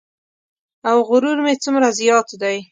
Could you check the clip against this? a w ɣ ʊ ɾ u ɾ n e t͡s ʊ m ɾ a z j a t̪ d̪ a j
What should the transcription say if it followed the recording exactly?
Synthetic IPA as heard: a w ɣ ʊ ɾ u ɾ m e t͡s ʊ m ɾ a z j ɑ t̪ d̪ a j